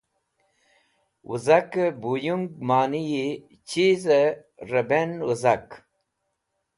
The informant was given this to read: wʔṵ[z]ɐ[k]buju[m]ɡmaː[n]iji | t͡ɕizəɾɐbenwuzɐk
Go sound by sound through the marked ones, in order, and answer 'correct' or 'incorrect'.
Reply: correct, correct, incorrect: ŋ, correct

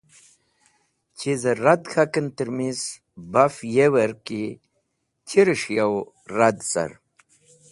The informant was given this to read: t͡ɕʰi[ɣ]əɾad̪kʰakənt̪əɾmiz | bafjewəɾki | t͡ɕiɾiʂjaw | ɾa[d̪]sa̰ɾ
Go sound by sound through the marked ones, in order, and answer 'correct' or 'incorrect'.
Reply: incorrect: z, correct

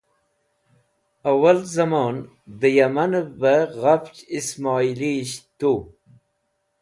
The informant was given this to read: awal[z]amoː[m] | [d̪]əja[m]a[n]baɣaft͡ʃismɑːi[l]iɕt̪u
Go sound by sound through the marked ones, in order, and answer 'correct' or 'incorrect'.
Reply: correct, incorrect: n, correct, correct, correct, correct

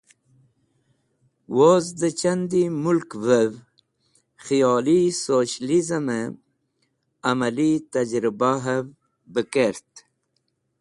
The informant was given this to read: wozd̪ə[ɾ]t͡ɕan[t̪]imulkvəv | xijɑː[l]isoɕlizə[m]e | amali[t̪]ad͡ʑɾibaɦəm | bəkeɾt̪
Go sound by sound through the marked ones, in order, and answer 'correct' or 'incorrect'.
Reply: incorrect: none, incorrect: d̪, correct, correct, correct

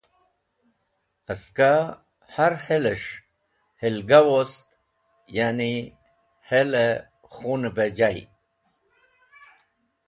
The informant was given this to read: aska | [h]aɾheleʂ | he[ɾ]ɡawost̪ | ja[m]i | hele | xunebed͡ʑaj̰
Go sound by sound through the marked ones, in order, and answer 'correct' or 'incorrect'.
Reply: correct, incorrect: l, incorrect: n

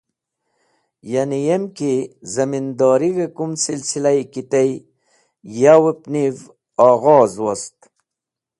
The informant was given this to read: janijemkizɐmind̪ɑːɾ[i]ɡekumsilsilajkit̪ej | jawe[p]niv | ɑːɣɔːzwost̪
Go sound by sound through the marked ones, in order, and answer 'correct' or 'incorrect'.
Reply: correct, correct

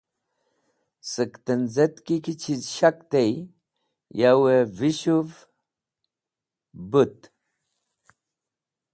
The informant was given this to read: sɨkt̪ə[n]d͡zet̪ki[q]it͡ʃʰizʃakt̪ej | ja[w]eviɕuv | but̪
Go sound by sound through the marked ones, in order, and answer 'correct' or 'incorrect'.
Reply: correct, incorrect: k, correct

